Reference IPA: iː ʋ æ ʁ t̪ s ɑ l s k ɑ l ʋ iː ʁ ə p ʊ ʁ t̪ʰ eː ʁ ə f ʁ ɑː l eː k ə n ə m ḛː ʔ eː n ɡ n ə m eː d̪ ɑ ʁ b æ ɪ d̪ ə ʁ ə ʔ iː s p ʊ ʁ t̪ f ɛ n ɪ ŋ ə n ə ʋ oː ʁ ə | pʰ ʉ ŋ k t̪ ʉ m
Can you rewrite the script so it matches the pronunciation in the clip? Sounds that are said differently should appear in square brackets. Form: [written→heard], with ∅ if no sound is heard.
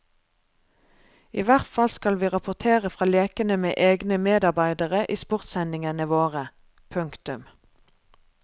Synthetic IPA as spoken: iː ʋ æ ʁ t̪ [s→f] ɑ l s k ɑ l ʋ iː ʁ [ə→ɑ] p ʊ ʁ t̪ʰ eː ʁ ə f ʁ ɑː l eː k ə n ə m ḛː ʔ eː [n→∅] ɡ n ə m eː d̪ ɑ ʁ b æ ɪ d̪ ə ʁ ə ʔ iː s p ʊ ʁ t̪ [f→s] ɛ n ɪ ŋ ə n ə ʋ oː ʁ ə | pʰ ʉ ŋ k t̪ ʉ m